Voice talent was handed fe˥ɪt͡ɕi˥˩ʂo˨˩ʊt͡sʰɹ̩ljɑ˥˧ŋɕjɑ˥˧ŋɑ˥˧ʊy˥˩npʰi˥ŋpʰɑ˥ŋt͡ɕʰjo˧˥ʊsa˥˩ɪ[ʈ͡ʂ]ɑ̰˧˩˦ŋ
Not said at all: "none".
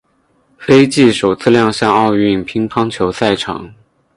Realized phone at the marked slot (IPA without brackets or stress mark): ʈ͡ʂʰ